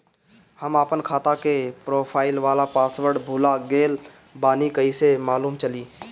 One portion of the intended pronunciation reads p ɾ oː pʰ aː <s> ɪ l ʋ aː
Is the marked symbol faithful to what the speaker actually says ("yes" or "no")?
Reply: no